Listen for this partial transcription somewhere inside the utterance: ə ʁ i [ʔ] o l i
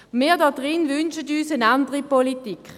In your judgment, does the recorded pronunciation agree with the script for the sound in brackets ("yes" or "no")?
no